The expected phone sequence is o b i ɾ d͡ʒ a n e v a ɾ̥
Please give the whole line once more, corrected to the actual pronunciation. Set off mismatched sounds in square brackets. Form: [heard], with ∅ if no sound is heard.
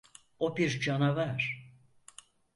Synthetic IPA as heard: o b i ɾ d͡ʒ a n [a] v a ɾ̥